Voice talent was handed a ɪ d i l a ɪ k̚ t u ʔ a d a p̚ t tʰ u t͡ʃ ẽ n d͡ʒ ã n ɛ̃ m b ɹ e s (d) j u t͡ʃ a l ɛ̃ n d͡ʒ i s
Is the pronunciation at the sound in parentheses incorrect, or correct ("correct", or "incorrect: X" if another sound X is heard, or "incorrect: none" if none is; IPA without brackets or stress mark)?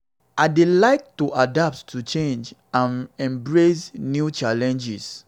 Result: incorrect: n